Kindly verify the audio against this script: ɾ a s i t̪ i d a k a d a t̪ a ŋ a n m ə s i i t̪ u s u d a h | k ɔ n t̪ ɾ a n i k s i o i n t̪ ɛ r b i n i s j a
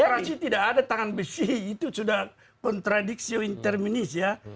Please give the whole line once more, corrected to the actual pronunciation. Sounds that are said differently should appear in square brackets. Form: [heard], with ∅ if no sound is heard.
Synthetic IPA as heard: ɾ a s i t̪ i d a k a d a t̪ a ŋ a n [b] ə s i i t̪ u s u d a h | k ɔ n t̪ ɾ a [d] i k s i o i n t̪ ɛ r [m] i n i s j a